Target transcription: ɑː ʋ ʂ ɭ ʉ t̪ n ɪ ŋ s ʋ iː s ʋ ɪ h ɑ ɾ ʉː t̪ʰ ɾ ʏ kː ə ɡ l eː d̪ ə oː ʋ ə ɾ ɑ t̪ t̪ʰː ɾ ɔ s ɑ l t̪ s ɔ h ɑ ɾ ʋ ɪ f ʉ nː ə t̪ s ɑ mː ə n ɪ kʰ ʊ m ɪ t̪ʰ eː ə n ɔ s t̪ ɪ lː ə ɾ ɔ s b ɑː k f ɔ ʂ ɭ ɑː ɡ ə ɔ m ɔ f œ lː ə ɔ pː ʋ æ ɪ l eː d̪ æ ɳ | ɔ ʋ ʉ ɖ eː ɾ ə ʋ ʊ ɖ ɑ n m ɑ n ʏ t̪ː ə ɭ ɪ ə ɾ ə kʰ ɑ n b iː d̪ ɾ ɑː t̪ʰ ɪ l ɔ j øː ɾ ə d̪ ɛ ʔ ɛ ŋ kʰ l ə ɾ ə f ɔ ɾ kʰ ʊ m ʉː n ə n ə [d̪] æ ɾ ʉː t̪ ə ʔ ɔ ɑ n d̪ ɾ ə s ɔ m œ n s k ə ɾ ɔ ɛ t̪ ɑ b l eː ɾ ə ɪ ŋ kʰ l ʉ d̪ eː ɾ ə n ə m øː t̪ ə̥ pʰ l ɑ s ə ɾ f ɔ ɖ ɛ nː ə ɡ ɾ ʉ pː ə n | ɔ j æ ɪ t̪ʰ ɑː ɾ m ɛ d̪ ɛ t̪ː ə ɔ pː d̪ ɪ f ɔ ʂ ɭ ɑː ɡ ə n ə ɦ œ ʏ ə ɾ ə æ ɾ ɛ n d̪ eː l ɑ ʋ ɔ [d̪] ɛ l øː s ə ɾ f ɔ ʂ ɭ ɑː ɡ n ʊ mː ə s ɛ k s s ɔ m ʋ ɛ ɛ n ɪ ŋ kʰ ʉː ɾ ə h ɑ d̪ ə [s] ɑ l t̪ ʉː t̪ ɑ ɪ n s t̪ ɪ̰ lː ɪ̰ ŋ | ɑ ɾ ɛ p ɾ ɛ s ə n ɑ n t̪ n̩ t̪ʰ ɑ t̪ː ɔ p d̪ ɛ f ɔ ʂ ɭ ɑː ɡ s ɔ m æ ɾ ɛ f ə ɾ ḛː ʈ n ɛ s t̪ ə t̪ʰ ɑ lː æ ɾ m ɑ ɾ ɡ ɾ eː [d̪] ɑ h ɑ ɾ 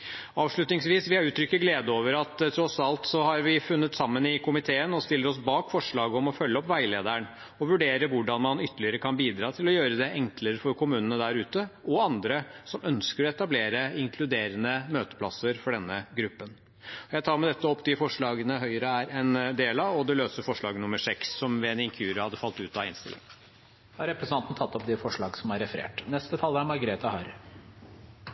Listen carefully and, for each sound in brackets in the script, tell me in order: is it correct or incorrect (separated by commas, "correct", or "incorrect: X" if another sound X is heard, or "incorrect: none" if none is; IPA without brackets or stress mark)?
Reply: correct, correct, incorrect: f, incorrect: t̪